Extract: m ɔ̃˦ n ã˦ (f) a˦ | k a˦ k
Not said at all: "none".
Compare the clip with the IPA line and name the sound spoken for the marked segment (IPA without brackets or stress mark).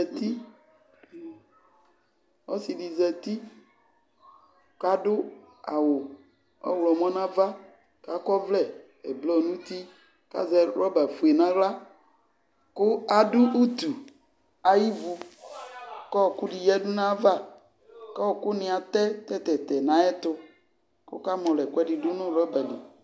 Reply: v